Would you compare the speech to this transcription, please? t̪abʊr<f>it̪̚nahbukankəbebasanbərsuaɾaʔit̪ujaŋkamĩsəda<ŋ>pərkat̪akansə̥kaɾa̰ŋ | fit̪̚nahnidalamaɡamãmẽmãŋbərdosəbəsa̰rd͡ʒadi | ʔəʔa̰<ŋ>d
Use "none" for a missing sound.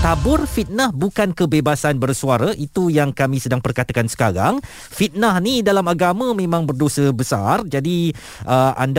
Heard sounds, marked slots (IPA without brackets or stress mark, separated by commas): f, ŋ, n